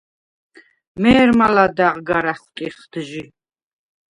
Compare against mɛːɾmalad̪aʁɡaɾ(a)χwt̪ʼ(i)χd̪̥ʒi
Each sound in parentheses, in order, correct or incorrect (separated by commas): correct, correct